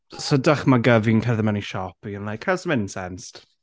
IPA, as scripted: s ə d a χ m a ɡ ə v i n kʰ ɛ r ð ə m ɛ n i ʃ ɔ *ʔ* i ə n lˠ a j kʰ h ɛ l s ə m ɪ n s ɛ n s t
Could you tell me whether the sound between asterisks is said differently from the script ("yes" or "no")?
yes